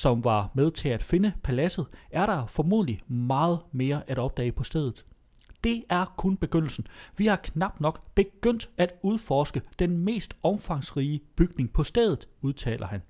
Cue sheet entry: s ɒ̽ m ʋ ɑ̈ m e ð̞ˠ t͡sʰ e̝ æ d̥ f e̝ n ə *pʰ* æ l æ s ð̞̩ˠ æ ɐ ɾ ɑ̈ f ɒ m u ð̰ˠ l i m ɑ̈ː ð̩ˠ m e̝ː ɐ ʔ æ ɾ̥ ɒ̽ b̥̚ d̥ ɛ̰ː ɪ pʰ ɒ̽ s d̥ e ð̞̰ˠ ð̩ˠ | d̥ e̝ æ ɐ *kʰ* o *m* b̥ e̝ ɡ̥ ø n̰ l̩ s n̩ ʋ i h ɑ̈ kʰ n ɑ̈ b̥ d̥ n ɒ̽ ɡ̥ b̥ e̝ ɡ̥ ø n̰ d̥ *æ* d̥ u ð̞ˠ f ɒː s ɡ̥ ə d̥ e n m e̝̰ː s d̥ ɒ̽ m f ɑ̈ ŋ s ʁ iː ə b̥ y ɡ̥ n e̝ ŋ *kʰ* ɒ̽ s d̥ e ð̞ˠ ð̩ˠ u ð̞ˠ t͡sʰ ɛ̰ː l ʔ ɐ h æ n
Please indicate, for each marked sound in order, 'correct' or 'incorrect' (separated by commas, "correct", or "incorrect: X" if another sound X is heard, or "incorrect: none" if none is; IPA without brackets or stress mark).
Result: correct, correct, incorrect: n, correct, incorrect: pʰ